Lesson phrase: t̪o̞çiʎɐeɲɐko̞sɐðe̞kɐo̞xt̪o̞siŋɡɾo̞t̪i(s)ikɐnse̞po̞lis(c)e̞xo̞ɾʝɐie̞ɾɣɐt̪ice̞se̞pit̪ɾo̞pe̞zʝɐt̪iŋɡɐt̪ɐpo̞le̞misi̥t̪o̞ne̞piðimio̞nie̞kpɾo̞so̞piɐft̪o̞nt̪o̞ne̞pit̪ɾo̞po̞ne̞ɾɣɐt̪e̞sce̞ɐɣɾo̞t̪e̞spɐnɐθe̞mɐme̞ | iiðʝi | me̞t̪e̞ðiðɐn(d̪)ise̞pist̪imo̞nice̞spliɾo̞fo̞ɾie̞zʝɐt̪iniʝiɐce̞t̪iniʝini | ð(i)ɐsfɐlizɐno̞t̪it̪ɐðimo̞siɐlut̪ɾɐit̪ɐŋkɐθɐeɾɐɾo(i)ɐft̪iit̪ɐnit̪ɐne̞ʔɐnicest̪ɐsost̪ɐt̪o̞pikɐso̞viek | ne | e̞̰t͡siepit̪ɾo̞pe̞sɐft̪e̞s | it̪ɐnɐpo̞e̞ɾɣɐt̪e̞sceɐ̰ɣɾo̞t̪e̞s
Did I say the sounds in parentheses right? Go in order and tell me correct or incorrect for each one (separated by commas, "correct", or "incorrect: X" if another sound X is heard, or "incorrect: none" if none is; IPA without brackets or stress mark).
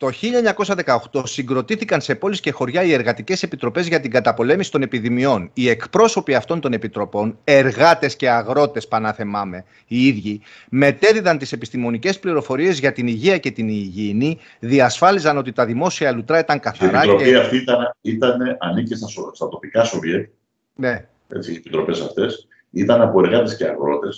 incorrect: θ, correct, incorrect: t̪, correct, correct